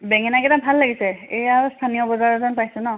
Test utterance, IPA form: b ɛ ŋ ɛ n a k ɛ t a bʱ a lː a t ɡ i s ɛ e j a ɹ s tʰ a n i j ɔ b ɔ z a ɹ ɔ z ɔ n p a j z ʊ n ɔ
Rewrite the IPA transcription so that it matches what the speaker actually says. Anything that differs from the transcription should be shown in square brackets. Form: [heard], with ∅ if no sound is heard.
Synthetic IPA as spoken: b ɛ ŋ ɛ n a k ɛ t a bʱ a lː a [∅] ɡ i s ɛ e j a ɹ s tʰ a n i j ɔ b ɔ z a ɹ ɔ z ɔ n p a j [s] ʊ n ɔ

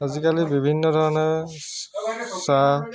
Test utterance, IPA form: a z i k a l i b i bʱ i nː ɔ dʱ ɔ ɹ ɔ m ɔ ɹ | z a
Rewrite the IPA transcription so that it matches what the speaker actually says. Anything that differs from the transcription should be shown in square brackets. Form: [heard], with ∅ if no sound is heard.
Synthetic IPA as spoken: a z i k a l i b i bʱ i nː ɔ dʱ ɔ ɹ ɔ [n] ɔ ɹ | [s] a

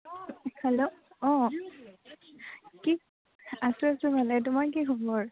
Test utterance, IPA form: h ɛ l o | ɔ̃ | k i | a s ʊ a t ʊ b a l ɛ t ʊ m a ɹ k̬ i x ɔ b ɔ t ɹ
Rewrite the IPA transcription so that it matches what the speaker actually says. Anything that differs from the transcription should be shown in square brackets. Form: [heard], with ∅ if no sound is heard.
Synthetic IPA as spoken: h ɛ l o | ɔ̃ | k i | a s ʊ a [s] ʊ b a l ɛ t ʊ m a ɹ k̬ i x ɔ b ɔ [∅] ɹ

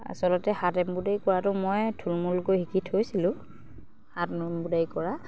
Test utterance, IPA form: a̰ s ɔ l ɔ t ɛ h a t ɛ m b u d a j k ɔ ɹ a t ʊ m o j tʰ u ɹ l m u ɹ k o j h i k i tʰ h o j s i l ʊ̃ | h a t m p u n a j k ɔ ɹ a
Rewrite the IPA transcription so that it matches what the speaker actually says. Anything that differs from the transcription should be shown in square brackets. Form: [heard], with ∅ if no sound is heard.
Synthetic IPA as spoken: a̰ s ɔ l ɔ t ɛ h a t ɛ m b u d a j k ɔ ɹ a t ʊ m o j tʰ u [∅] l m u [l] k o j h i k i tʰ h o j s i l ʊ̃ | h a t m [b] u [d] a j k ɔ ɹ a

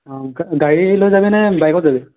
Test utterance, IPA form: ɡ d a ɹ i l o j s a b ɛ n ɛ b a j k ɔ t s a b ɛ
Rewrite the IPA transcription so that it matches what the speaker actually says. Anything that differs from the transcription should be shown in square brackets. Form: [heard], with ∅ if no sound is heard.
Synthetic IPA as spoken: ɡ [ɡ] a ɹ i l o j [z] a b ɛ n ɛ b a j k ɔ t [z] a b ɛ

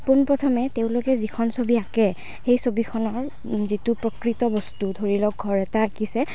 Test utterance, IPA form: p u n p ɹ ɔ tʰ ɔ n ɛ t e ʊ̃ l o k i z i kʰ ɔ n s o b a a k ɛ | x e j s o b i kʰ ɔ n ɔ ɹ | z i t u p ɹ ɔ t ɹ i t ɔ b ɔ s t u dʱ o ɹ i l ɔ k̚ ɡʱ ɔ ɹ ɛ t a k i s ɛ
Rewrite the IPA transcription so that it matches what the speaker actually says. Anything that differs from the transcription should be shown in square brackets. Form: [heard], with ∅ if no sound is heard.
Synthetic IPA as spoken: p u n p ɹ ɔ tʰ ɔ [m] ɛ t e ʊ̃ l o k [ɛ] z i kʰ ɔ n s o b [i] a k ɛ | x e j s o b i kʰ ɔ n ɔ ɹ | z i t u p ɹ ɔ [k] ɹ i t ɔ b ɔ s t u dʱ o ɹ i l ɔ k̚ ɡʱ ɔ ɹ ɛ t a k i s ɛ

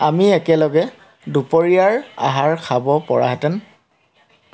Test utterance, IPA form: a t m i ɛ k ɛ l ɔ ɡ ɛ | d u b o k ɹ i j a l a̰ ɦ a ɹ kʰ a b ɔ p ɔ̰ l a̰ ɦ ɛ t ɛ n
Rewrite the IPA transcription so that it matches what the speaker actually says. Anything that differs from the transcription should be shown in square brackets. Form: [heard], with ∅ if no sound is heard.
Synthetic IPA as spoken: a [∅] m i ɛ k ɛ l ɔ ɡ ɛ | d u [p] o [∅] ɹ i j a [ɹ] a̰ ɦ a ɹ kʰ a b ɔ p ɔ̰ [ɹ] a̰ ɦ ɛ t ɛ n

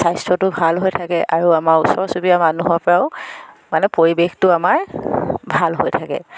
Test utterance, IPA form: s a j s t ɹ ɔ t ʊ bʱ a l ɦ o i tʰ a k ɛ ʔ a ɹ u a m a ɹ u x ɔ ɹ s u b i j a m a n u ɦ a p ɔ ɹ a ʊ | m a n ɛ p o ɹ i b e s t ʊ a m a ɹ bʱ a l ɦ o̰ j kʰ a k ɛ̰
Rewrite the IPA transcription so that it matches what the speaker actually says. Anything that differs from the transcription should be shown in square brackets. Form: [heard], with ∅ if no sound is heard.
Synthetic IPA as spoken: s a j s t ɹ ɔ t ʊ bʱ a l ɦ o [j] tʰ a k ɛ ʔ a ɹ u a m a ɹ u [s] ɔ ɹ s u b i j a m a n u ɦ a p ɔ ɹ a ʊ | m a n ɛ p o ɹ i b e [x] t ʊ a m a ɹ bʱ a l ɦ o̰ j [tʰ] a k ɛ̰

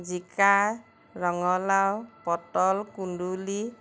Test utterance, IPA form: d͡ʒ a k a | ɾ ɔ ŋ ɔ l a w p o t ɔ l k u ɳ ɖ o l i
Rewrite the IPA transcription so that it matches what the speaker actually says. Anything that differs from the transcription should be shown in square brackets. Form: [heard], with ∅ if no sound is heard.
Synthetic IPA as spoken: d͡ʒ [i] k a | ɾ ɔ ŋ ɔ l a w p [ɔ] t ɔ l k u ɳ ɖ [u] l i

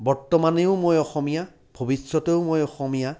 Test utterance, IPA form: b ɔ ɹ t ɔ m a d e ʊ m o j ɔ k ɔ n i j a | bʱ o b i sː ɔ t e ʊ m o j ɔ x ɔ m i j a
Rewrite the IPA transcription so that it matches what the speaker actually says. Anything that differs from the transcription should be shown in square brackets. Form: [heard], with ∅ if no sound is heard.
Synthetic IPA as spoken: b ɔ ɹ t ɔ m a [n] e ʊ m o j ɔ [x] ɔ [m] i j a | bʱ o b i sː ɔ t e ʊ m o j ɔ x ɔ m i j a

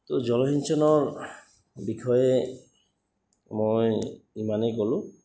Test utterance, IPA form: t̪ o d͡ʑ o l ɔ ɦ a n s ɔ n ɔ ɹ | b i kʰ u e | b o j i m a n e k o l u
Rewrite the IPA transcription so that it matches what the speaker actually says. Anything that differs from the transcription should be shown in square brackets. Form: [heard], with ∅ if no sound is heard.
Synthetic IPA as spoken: t̪ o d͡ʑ [ɔ] l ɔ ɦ [i] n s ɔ n ɔ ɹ | b i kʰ [ɔ] e | [m] o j i m a n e k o l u

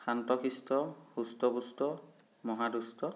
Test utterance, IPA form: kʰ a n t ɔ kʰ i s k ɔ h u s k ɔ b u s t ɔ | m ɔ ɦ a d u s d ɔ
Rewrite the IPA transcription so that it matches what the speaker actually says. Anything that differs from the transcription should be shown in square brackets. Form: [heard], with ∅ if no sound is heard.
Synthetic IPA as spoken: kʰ a n t ɔ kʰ i s [t] ɔ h u s [t] ɔ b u s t ɔ | m ɔ ɦ a d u s [t] ɔ

